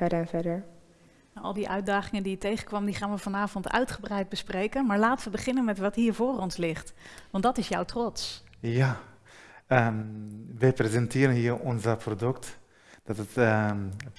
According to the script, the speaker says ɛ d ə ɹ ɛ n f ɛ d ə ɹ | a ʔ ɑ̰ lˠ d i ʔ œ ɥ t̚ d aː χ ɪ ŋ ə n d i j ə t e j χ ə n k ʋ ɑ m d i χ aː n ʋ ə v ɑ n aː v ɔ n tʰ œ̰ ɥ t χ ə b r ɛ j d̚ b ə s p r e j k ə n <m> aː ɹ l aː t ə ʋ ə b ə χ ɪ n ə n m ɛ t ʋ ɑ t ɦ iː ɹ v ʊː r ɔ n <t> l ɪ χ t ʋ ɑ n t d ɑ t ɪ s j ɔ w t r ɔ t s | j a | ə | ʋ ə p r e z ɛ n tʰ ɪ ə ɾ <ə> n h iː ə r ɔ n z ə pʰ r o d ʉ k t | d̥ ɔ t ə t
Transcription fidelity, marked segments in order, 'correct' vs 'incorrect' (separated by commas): correct, incorrect, correct